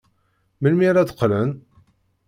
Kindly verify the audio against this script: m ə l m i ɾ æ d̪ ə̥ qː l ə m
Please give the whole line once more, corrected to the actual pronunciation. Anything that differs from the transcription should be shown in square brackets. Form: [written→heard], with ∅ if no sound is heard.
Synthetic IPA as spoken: m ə l m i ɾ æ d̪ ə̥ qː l ə [m→n]